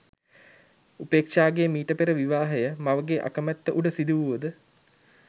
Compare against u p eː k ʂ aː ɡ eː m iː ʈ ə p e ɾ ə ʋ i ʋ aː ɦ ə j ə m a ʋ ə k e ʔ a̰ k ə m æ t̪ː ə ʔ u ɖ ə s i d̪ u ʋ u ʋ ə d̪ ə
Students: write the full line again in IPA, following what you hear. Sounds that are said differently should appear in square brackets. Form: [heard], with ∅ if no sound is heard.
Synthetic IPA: u p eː k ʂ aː ɡ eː m iː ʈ ə p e ɾ ə ʋ i ʋ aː ɦ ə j ə m a ʋ ə [ɡ] e ʔ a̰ k ə m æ t̪ː ə ʔ u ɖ ə s i d̪ u ʋ u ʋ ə d̪ ə